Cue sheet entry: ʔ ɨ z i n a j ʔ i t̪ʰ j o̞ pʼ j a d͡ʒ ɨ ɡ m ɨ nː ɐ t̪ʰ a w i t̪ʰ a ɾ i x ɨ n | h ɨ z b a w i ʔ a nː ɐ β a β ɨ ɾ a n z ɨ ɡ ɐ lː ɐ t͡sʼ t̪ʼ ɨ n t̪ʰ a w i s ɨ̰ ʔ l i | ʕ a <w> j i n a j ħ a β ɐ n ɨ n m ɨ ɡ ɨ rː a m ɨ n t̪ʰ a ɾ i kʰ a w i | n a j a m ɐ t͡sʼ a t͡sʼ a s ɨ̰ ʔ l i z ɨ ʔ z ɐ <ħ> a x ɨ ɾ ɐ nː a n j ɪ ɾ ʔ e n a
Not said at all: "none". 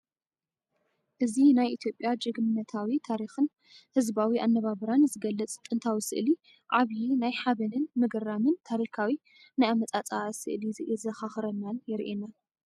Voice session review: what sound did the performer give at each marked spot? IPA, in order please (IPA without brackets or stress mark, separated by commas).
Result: β, x